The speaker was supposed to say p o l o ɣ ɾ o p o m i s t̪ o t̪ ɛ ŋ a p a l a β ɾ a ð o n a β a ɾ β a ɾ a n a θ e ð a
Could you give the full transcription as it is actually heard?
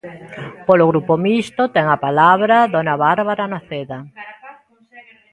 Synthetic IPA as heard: p o l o ɣ ɾ u p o m i s t̪ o t̪ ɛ ŋ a p a l a β ɾ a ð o n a β a ɾ β a ɾ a n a θ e ð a